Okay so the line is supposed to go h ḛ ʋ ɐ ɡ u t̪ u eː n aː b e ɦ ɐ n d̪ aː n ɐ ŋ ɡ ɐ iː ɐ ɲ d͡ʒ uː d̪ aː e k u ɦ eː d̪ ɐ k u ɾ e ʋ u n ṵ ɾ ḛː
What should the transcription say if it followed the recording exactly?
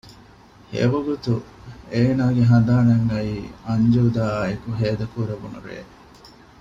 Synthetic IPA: h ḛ ʋ ɐ ɡ u t̪ u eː n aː ɡ e ɦ ɐ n d̪ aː n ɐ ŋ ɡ ɐ iː ɐ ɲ d͡ʒ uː d̪ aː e k u ɦ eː d̪ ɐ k u ɾ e ʋ u n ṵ ɾ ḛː